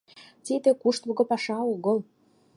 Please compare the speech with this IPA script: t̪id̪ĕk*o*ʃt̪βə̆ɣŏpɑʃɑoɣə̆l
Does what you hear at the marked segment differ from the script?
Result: yes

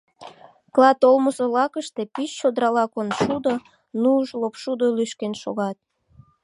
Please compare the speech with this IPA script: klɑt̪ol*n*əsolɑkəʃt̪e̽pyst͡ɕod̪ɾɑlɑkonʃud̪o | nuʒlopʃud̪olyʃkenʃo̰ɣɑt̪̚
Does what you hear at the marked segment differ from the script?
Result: yes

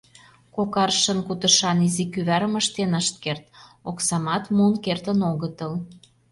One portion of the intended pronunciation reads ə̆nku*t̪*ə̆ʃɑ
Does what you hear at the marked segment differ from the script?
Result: no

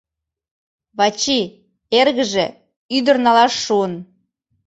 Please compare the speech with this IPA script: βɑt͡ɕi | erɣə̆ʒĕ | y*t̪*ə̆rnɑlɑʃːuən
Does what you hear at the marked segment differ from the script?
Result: yes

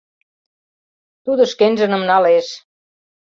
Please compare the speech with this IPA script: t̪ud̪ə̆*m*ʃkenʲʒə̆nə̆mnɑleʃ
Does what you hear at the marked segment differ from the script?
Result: yes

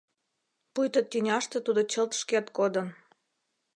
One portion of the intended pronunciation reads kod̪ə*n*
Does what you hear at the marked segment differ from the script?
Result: no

